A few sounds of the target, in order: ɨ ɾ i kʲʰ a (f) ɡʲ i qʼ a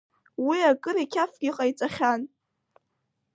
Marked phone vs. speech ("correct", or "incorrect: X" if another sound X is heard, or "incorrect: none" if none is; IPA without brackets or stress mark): correct